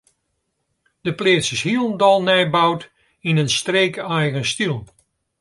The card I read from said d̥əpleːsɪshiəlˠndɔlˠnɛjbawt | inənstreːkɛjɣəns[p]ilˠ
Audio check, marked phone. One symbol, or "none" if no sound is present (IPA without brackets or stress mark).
t